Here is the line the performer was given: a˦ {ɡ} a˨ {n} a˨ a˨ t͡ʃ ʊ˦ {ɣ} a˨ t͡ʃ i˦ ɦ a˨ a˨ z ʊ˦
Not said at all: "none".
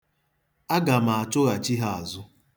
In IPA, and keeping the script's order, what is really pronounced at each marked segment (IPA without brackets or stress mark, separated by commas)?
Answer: ɡ, m, ɣ